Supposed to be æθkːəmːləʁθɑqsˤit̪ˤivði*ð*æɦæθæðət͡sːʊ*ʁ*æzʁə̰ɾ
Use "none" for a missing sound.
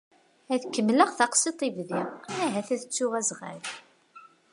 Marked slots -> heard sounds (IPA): ʁ, ʁ

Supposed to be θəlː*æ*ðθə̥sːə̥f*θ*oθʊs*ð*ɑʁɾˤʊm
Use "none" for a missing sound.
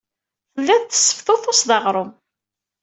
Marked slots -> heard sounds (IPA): æ, θ, ð

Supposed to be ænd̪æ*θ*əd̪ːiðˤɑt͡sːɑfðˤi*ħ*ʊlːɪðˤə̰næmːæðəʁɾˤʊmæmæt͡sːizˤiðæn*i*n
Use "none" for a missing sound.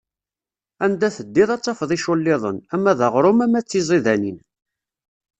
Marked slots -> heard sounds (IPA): θ, ʃ, i

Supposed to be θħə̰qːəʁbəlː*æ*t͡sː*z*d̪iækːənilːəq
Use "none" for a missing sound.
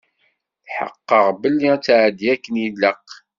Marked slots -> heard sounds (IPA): i, ʕ

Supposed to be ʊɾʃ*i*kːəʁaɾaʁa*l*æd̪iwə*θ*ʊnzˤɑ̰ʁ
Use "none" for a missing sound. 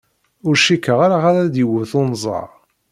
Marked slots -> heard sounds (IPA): i, ɾ, θ

